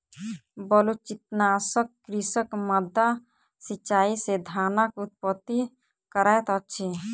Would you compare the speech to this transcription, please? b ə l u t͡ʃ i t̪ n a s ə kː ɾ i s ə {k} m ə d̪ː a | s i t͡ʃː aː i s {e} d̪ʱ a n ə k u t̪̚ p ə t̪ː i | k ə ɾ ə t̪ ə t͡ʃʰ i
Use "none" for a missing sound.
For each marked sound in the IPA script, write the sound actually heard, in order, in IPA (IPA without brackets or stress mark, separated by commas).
k, e